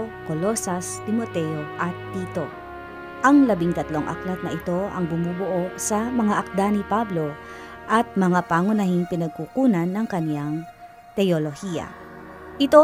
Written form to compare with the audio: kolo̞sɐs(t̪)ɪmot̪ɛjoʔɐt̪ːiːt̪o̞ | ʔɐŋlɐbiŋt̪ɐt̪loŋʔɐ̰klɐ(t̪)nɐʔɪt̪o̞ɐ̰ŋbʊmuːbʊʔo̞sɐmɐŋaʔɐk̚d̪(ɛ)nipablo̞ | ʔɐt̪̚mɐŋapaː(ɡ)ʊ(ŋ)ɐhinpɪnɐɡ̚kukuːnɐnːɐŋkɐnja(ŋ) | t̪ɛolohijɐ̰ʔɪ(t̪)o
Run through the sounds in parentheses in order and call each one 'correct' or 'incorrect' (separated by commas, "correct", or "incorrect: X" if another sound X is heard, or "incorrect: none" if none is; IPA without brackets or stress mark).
correct, correct, incorrect: a, incorrect: ŋ, incorrect: n, correct, correct